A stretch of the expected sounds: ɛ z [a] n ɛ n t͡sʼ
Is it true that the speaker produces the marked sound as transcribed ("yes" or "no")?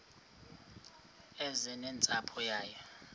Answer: no